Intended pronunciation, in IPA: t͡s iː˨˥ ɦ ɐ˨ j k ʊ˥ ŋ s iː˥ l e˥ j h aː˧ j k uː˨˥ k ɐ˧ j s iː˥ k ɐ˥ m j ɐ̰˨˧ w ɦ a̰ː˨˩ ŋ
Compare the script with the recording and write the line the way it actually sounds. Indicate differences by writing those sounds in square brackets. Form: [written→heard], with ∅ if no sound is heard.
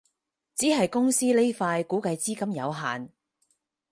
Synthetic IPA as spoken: t͡s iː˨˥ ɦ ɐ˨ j k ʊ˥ ŋ s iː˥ l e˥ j [h→f] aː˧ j k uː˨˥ k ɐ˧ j [s→t͡s] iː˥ k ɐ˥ m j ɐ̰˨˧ w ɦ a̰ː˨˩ [ŋ→n]